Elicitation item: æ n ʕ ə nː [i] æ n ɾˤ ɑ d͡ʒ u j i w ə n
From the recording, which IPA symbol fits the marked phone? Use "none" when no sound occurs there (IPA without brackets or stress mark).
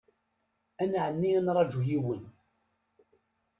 i